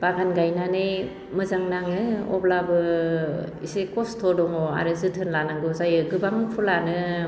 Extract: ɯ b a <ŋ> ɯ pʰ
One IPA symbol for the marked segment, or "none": ŋ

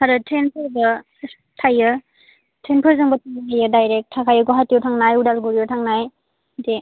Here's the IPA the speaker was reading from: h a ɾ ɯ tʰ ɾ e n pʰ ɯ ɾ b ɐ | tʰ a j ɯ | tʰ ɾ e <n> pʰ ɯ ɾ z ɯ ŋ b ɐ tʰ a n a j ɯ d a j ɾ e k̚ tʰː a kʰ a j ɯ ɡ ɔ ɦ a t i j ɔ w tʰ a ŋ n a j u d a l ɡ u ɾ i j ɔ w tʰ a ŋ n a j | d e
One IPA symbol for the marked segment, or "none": n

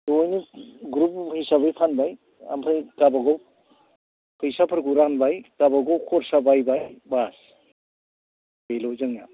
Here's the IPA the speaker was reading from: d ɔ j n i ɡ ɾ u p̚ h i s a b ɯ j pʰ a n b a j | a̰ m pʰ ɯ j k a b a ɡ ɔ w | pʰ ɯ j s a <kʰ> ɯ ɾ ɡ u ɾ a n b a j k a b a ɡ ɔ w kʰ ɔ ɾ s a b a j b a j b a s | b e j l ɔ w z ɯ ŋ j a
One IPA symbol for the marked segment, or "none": pʰ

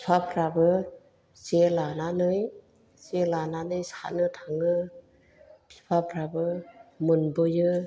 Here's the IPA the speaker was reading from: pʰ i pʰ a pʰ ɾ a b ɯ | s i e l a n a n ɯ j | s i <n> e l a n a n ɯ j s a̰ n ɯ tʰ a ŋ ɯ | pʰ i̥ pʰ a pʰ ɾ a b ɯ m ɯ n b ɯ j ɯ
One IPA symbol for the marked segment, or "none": none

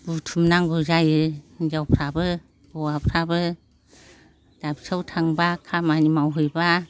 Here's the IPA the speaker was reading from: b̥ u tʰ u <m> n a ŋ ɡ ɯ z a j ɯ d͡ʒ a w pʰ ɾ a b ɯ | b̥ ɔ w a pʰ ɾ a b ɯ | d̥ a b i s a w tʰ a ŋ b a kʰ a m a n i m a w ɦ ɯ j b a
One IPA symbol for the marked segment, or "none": m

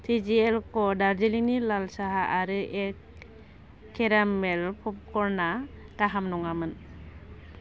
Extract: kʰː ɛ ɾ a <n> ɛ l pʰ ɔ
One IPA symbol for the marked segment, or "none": m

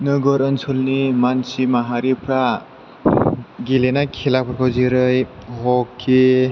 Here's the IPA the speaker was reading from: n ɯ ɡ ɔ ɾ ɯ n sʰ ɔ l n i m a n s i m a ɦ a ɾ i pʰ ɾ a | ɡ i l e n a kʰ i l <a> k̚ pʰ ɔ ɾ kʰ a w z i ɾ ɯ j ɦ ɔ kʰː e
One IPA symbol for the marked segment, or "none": a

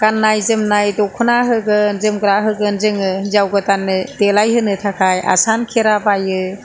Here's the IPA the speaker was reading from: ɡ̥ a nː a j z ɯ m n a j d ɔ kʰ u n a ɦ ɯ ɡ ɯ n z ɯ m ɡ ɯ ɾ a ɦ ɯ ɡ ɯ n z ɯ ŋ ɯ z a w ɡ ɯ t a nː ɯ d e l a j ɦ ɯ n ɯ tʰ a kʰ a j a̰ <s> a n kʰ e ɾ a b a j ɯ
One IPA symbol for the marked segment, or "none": s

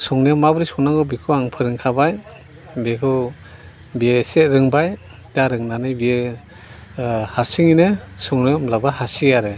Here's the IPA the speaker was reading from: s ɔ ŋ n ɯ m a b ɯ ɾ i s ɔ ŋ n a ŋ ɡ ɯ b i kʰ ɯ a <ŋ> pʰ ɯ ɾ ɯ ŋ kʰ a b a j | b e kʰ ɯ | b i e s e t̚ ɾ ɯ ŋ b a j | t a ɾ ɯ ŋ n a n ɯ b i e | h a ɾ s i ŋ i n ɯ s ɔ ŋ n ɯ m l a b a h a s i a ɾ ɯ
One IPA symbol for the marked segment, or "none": ŋ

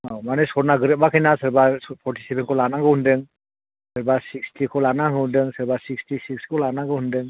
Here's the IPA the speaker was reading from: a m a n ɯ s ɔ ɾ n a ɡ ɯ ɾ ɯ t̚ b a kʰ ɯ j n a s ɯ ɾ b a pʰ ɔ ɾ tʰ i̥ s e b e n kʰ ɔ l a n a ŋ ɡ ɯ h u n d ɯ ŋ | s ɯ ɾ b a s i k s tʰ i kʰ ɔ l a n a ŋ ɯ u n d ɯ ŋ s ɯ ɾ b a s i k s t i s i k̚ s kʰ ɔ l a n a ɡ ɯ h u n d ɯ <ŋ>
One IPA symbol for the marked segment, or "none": ŋ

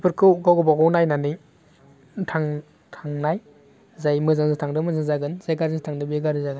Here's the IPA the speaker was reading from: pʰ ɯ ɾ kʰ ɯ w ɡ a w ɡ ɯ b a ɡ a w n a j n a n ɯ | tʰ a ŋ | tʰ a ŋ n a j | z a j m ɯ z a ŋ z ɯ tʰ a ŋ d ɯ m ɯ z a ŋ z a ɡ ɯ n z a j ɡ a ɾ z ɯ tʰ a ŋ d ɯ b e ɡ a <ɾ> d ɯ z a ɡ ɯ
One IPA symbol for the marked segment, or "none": ɾ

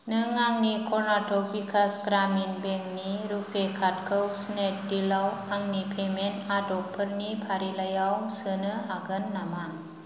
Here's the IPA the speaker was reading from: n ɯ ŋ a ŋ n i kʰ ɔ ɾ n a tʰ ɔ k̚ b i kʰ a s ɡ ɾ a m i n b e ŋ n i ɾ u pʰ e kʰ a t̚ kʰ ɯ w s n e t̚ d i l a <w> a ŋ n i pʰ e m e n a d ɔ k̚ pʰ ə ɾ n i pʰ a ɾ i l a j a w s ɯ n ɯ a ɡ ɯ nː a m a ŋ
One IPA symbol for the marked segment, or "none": w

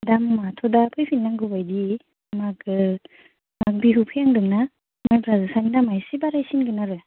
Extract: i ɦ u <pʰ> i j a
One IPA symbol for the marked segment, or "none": pʰ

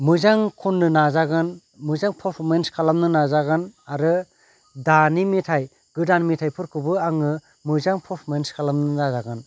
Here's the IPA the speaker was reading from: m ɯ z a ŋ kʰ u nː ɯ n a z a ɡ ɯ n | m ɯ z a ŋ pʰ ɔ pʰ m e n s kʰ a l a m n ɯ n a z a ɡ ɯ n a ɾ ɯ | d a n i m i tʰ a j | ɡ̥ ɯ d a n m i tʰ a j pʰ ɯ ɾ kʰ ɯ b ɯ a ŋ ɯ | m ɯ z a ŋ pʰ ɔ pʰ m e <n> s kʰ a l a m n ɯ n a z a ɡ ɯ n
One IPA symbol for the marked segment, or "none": n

